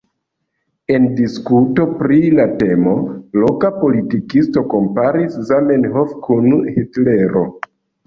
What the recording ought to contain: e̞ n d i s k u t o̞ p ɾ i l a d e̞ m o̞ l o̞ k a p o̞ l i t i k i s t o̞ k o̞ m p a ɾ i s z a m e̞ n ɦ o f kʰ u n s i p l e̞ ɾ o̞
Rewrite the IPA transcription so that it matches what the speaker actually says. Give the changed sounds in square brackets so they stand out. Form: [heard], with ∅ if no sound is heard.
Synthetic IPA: e̞ n d i s k u t o̞ p ɾ i l a [t] e̞ m o̞ l o̞ k a p o̞ l i t i k i s t o̞ k o̞ m p a ɾ i s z a m e̞ n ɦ o f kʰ u n [h] i [t] l e̞ ɾ o̞